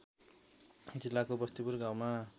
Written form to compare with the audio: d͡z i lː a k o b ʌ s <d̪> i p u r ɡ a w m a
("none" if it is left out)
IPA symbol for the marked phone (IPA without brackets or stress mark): t̪